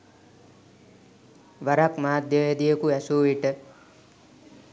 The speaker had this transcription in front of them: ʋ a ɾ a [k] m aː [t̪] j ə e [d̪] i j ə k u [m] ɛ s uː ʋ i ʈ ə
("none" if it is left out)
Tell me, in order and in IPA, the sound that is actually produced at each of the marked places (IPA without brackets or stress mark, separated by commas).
k, d̪, d̪, none